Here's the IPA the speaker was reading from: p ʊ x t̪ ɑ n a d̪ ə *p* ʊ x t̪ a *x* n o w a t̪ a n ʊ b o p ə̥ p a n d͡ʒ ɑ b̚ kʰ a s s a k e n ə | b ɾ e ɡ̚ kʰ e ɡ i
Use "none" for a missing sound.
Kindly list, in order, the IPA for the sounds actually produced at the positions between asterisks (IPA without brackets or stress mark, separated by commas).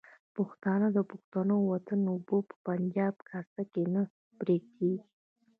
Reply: p, none